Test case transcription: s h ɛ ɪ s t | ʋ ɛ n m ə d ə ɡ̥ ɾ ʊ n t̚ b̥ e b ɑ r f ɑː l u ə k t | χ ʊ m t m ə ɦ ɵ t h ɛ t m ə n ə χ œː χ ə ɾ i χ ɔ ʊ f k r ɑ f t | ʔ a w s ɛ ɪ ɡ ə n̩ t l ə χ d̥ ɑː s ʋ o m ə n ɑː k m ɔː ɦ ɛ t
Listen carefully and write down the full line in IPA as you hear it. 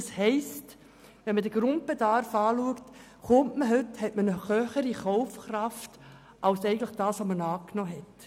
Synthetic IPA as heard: s h ɛ ɪ s t | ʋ ɛ n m ə d ə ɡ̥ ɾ ʊ n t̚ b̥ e d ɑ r f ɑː l u ə k t | χ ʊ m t m ə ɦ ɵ t h ɛ t m ə n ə χ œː χ ə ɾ i χ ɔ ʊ f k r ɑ f t | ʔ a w s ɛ ɪ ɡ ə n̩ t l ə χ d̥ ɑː s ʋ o m ə n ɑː k n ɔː ɦ ɛ t